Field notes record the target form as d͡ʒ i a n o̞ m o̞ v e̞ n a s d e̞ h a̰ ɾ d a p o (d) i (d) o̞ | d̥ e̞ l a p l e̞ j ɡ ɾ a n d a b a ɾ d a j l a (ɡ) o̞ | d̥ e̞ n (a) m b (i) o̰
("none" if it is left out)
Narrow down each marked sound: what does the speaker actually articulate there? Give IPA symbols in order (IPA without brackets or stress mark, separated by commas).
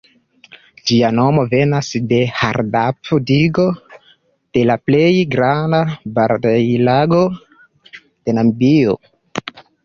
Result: d, ɡ, ɡ, a, i